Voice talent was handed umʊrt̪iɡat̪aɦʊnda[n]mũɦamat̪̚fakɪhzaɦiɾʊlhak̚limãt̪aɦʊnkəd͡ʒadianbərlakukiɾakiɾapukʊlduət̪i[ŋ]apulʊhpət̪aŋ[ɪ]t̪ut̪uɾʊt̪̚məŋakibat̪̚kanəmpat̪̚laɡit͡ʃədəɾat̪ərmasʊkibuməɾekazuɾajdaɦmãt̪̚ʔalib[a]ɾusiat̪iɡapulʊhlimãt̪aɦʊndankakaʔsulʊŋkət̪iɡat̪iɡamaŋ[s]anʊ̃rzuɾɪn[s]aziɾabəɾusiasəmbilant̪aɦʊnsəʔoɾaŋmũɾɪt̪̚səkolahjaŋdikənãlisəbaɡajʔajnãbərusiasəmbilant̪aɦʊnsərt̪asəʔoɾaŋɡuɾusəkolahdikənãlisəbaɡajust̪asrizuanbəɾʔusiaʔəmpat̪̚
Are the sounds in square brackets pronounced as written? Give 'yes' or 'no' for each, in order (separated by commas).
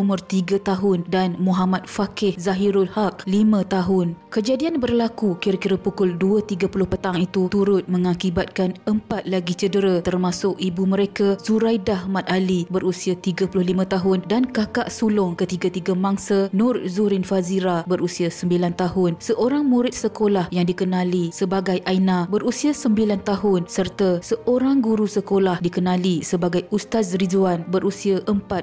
yes, no, no, no, yes, no